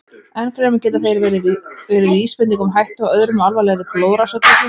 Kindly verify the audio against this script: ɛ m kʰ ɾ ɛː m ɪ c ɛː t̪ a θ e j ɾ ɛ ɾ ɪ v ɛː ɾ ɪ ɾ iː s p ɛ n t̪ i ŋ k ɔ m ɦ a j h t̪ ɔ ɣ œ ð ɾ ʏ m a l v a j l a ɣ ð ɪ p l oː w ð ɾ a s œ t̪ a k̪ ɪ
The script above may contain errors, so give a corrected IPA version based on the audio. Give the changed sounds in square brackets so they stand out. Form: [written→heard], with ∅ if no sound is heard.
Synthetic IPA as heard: ɛ [m→n] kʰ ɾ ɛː m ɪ c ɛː t̪ a θ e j ɾ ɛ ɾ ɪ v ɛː ɾ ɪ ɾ iː s p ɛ n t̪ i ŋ k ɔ m ɦ a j h t̪ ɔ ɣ œ ð ɾ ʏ m a l v a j l [a→ɛ] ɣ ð ɪ p l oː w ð ɾ a s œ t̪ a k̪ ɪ